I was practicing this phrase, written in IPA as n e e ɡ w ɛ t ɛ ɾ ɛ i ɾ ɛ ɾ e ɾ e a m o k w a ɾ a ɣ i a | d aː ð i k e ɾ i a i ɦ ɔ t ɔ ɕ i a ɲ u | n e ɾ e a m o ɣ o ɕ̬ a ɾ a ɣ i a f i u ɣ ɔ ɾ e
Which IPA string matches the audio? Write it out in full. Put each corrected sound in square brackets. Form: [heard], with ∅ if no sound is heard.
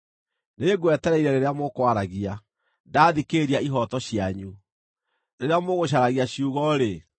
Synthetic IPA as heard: n e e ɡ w ɛ t ɛ ɾ ɛ i ɾ ɛ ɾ e ɾ e a m o k w a ɾ a ɣ i a | d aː ð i k e ɾ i a i ɦ ɔ t ɔ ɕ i a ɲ u | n e ɾ e a m o ɣ o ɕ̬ a ɾ a ɣ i a [ɕ] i u ɣ ɔ ɾ e